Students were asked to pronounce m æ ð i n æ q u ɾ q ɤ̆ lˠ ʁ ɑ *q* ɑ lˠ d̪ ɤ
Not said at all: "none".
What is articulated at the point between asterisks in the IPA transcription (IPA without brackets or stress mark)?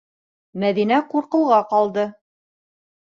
q